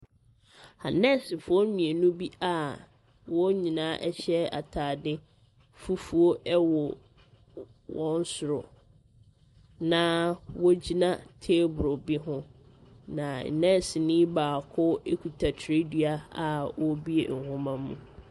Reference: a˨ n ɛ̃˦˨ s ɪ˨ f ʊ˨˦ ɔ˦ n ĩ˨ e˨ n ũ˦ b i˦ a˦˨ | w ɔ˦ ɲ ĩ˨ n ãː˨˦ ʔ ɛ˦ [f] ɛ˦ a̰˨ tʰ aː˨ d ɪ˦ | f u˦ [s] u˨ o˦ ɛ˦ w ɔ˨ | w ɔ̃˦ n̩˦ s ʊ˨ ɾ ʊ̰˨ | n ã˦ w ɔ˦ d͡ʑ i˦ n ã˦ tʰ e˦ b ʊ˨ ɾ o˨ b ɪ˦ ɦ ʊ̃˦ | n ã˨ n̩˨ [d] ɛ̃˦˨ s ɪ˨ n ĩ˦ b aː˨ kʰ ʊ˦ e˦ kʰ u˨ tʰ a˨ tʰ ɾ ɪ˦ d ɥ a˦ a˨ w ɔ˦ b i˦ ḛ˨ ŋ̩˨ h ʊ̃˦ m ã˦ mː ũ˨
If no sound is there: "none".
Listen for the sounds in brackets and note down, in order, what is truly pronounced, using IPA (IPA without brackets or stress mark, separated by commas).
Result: ɕ, f, n